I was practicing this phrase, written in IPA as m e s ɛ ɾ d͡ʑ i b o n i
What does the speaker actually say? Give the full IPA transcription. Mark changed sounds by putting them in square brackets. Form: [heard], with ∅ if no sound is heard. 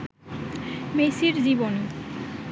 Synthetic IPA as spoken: m e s [i] ɾ d͡ʑ i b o n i

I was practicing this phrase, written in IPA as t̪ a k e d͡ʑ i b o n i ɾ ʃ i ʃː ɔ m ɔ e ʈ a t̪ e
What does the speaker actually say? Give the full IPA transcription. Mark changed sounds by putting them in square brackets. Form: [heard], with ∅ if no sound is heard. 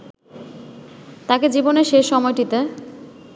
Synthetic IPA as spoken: t̪ a k e d͡ʑ i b o n [e] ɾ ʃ [e] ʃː ɔ m ɔ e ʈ [i] t̪ e

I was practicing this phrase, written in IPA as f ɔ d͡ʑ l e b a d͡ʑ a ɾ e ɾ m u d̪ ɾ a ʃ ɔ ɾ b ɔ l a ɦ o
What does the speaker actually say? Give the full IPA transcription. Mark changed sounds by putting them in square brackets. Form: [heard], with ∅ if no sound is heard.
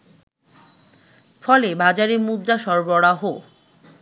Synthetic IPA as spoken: f ɔ [∅] l e b a d͡ʑ a ɾ e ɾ m u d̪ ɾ a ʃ ɔ ɾ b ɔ [ɽ] a ɦ o

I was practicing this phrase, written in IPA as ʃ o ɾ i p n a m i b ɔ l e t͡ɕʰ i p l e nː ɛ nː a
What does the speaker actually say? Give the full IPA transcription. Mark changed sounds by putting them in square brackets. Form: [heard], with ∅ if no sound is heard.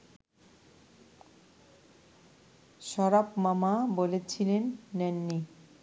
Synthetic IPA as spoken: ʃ [ɔ] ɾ [a] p [m] a m [a] b [o] l e t͡ɕʰ i [∅] l e nː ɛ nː [i]

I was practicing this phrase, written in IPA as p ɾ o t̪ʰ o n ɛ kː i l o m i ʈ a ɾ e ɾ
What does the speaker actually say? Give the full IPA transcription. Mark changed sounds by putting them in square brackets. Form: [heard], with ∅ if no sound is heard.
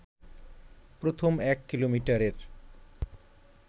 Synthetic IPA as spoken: p ɾ o t̪ʰ o [m] ɛ kː i l o m i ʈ a ɾ e ɾ

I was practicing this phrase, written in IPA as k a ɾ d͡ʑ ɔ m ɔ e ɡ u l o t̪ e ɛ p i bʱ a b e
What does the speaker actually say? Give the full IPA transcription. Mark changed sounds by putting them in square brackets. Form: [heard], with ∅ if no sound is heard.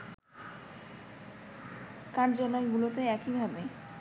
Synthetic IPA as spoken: k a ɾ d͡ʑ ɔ [n] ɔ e ɡ u l o t̪ e ɛ [k] i bʱ a b e

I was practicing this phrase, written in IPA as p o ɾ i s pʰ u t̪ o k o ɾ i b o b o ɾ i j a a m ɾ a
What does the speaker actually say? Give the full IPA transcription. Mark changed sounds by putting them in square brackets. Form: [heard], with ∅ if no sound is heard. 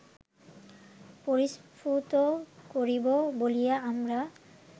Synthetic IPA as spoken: p o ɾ i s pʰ u t̪ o k o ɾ i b o b o [l] i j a a m ɾ a

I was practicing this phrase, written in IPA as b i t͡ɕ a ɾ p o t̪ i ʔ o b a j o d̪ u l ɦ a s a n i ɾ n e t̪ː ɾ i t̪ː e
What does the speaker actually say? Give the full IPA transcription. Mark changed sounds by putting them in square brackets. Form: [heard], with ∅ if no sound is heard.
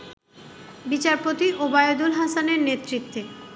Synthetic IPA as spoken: b i t͡ɕ a ɾ p o t̪ i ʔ o b a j o d̪ u l ɦ a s a n [e] ɾ n e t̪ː ɾ i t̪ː e

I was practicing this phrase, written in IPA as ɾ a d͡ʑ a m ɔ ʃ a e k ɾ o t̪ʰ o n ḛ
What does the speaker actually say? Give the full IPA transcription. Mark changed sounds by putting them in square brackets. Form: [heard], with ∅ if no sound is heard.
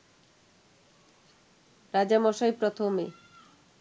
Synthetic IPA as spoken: ɾ a d͡ʑ a m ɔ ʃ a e [p] ɾ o t̪ʰ o [m] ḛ

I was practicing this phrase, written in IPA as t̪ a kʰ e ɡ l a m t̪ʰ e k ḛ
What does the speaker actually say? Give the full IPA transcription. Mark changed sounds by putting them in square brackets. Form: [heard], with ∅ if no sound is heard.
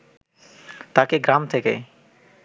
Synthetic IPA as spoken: t̪ a [k] e ɡ [ɾ] a m t̪ʰ e k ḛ

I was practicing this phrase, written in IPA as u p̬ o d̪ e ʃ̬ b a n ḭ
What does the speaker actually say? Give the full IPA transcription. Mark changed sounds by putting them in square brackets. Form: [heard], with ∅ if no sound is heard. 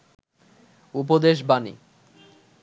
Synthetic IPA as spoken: u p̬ o d̪ e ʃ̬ b a n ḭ

